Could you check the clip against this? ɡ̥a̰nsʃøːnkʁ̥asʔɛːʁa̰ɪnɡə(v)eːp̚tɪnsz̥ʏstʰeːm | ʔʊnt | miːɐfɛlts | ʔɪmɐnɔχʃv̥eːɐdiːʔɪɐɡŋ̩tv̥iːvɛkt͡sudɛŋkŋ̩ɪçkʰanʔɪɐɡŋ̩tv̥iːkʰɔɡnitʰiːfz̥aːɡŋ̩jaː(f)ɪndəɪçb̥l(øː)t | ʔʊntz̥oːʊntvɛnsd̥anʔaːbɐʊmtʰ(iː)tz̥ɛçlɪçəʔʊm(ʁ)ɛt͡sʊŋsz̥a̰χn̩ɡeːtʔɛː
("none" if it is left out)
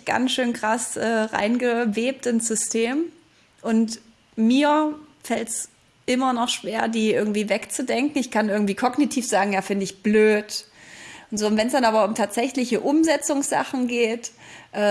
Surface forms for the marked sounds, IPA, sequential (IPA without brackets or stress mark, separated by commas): v, f, øː, aː, z